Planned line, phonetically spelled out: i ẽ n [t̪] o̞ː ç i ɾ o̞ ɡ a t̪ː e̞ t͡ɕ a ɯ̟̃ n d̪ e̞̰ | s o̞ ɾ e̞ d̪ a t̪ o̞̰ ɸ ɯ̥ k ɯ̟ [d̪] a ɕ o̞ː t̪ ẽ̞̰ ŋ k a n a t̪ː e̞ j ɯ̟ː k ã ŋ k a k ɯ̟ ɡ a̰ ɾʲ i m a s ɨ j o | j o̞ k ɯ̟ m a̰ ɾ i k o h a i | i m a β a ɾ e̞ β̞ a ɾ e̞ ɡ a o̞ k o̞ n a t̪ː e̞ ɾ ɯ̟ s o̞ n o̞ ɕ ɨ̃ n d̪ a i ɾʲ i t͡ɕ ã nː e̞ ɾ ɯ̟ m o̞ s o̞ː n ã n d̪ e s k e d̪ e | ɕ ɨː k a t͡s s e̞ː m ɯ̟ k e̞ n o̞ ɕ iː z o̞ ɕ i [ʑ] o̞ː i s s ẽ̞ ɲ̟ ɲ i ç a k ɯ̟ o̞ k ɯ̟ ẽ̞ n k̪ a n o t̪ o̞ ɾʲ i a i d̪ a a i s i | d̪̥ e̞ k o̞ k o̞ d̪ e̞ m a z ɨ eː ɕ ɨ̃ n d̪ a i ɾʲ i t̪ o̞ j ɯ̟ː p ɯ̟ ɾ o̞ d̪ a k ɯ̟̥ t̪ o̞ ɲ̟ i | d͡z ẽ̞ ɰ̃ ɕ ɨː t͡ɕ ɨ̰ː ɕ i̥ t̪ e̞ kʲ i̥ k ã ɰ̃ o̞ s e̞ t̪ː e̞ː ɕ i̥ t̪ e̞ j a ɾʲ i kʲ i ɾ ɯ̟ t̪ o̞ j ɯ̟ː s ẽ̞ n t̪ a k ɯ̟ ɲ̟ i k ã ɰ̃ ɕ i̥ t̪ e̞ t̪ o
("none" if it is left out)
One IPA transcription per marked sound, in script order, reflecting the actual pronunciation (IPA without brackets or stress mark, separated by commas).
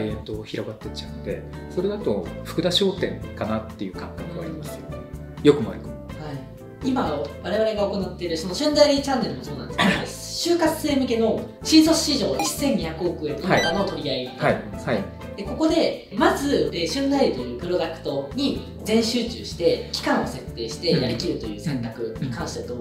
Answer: t̪, d̪, ʑ